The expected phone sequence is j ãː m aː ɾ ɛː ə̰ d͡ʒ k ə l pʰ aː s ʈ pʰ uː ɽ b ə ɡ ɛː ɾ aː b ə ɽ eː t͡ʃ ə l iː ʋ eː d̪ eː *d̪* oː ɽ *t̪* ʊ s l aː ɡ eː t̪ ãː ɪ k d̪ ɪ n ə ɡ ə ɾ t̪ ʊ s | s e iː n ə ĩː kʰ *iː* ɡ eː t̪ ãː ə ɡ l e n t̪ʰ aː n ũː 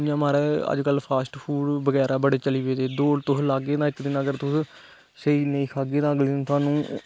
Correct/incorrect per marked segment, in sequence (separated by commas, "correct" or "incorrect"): correct, correct, incorrect